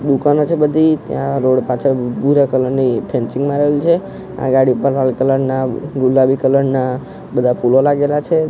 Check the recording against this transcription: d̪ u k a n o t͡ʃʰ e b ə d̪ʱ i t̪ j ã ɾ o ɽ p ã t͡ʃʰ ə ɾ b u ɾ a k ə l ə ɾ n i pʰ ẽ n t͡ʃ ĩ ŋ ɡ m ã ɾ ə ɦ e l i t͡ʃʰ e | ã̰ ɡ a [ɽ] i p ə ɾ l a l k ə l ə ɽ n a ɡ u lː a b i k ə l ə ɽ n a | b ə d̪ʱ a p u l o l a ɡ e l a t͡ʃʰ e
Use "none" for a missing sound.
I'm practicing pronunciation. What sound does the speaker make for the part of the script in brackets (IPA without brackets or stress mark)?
ɽ